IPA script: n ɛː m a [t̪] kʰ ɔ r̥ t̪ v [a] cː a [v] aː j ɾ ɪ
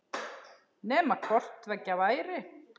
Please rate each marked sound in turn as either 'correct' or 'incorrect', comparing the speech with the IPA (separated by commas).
incorrect, incorrect, correct